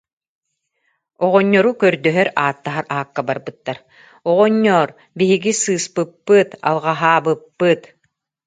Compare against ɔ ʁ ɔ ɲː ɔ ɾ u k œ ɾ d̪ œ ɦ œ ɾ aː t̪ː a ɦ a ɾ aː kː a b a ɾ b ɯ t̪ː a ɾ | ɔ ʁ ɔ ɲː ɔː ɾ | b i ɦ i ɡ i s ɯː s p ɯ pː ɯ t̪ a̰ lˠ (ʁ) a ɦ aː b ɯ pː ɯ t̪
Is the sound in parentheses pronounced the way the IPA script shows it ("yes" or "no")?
yes